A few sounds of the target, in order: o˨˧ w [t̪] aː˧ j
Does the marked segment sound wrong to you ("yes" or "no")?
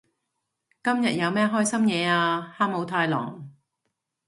yes